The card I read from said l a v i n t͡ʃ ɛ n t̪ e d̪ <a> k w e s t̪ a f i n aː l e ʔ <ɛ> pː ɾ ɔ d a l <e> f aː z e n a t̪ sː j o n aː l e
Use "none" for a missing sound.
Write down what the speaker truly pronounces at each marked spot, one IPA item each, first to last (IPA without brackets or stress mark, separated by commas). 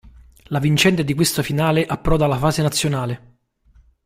i, a, a